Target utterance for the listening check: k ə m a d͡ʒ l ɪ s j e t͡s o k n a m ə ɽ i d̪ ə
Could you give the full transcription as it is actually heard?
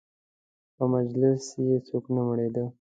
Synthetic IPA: p ə m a d͡ʒ l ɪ s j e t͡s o k n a m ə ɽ e d̪ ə